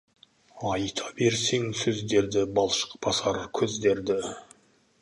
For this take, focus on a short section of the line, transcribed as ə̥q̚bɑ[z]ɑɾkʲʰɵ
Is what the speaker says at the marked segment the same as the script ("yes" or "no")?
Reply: no